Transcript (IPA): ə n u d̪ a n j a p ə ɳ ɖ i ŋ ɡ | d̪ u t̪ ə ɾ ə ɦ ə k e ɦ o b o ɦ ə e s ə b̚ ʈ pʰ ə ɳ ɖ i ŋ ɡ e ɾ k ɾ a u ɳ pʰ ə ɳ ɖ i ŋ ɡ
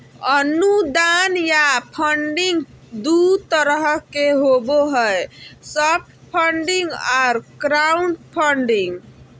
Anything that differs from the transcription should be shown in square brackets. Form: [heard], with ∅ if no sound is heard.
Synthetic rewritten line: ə n u d̪ a n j a [pʰ] ə ɳ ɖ i ŋ ɡ | d̪ u t̪ ə ɾ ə ɦ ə k e ɦ o b o ɦ ə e s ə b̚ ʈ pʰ ə ɳ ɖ i ŋ ɡ [a] ɾ k ɾ a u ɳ pʰ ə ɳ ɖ i ŋ ɡ